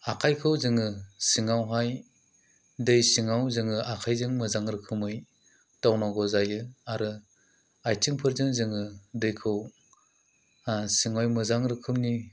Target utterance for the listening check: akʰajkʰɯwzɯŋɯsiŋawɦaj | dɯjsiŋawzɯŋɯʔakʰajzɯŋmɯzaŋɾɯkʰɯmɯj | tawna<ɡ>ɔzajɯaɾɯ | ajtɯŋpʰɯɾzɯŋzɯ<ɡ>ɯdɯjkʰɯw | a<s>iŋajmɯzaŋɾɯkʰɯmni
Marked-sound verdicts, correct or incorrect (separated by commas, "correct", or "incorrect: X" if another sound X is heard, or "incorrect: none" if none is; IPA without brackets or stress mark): correct, incorrect: ŋ, correct